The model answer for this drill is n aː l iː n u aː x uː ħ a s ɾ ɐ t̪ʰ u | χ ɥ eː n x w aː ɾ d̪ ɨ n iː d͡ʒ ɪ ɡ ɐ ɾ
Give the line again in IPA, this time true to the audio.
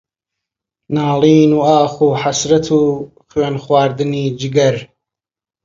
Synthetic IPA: n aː l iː n u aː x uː ħ a s ɾ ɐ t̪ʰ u | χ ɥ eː n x w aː ɾ d̪ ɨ n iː d͡ʒ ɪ ɡ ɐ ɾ